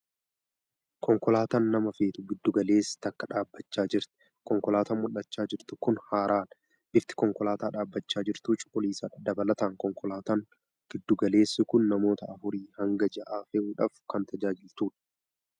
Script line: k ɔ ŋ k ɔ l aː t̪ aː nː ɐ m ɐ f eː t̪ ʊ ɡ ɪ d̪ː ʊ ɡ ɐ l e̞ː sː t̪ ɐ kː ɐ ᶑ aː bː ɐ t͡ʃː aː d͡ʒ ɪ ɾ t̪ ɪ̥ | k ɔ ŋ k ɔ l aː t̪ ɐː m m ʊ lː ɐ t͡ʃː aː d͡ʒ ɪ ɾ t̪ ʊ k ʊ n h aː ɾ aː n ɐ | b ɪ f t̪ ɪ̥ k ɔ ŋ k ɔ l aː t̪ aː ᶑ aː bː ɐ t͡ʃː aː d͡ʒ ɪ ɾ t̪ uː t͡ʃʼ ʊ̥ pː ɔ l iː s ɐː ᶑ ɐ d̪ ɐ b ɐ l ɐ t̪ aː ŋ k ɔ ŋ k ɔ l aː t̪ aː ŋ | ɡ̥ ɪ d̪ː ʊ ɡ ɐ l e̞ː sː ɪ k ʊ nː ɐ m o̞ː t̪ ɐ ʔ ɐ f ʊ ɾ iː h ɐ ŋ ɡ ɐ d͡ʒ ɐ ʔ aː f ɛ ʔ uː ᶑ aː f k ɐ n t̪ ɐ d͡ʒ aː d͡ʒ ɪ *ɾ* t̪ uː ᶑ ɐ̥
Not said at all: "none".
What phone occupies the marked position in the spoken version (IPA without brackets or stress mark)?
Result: l